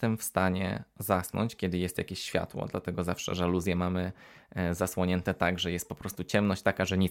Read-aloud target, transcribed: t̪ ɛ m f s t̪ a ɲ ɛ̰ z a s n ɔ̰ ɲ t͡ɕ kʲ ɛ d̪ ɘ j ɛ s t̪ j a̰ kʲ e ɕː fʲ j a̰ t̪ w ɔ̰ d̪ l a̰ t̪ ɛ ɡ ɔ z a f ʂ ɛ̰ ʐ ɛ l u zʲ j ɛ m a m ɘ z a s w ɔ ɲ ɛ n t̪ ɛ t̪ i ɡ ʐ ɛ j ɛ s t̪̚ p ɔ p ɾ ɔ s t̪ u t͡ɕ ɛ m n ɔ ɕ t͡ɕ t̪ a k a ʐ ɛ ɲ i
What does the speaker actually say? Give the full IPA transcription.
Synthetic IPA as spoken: t̪ ɛ m f s t̪ a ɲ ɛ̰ z a s n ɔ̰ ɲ t͡ɕ kʲ ɛ d̪ ɘ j ɛ s t̪ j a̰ kʲ e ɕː fʲ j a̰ t̪ w ɔ̰ d̪ l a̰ t̪ ɛ ɡ ɔ z a f ʂ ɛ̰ ʐ ɛ l u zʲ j ɛ m a m ɘ z a s w ɔ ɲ ɛ n t̪ ɛ t̪ a ɡ ʐ ɛ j ɛ s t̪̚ p ɔ p ɾ ɔ s t̪ u t͡ɕ ɛ m n ɔ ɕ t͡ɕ t̪ a k a ʐ ɛ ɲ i